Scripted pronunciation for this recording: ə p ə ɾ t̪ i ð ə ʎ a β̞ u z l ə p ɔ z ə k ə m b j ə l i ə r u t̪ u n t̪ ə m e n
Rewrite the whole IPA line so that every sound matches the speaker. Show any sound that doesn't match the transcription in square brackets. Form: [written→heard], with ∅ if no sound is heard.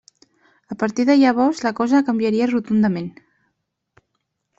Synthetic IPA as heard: ə p ə ɾ t̪ i ð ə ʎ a β̞ [u→ɔ] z l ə [p→k] ɔ z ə k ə m b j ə [l→ɾ] i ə r u t̪ u n [t̪→d̪] ə m e n